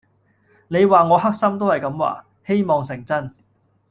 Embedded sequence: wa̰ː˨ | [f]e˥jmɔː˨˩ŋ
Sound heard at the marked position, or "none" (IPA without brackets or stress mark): h